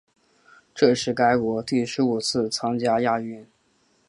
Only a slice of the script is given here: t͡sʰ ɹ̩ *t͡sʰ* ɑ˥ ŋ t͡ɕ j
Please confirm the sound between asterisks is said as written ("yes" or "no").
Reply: yes